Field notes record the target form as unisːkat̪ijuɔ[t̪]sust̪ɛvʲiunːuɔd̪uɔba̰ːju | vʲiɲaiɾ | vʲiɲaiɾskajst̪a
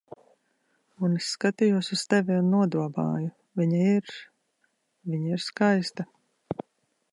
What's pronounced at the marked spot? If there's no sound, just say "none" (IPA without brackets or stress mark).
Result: none